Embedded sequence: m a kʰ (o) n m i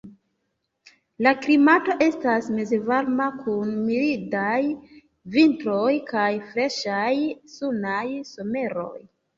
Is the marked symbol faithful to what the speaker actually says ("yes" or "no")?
no